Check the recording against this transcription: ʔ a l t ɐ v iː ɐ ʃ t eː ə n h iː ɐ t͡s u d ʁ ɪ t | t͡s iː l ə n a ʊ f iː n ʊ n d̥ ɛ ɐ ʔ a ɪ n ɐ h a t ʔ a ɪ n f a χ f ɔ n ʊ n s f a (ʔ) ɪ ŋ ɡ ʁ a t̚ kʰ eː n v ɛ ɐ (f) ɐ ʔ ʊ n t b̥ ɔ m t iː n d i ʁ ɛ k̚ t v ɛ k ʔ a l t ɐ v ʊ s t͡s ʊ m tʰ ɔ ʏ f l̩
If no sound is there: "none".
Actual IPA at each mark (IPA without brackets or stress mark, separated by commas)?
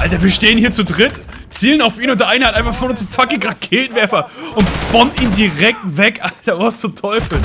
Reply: k, f